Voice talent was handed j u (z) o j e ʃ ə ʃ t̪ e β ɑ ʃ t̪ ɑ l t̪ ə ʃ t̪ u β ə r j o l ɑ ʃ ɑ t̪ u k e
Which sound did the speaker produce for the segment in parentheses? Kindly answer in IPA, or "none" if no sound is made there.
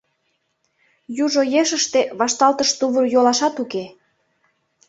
ʒ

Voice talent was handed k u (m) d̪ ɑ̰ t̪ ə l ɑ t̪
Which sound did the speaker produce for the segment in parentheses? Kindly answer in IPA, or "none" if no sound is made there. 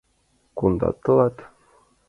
n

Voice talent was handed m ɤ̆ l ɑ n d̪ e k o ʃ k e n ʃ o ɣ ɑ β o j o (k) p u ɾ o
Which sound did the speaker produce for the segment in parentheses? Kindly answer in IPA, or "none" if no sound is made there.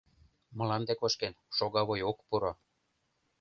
k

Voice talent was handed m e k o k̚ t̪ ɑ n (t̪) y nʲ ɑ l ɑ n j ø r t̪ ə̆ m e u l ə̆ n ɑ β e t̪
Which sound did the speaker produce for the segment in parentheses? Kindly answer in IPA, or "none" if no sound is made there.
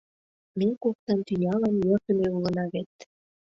t̪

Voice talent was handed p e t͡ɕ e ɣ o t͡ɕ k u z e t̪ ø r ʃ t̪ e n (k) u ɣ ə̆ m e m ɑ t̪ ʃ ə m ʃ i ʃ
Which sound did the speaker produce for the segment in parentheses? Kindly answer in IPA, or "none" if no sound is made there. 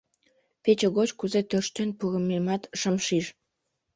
p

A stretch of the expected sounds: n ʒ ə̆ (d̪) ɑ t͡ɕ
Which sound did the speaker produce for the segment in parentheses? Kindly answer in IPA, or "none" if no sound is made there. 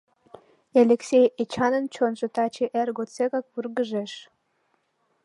t̪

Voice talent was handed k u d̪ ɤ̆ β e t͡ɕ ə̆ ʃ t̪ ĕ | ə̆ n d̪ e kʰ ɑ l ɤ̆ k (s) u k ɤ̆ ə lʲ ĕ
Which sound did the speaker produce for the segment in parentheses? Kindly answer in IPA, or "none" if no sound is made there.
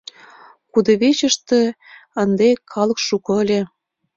ʃ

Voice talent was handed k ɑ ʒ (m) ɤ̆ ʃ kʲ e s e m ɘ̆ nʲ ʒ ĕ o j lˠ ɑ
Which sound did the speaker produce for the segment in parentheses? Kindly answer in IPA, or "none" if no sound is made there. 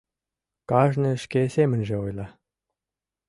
n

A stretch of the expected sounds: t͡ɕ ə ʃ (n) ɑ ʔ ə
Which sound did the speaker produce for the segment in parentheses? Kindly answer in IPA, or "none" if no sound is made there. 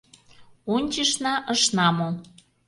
n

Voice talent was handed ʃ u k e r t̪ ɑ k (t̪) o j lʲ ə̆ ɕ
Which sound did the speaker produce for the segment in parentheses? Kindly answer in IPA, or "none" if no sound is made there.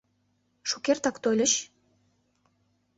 t̪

